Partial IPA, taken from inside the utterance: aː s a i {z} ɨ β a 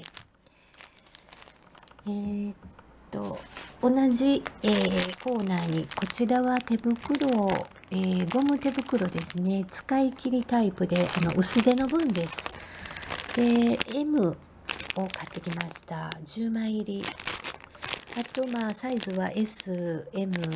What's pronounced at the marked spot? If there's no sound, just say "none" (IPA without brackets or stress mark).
z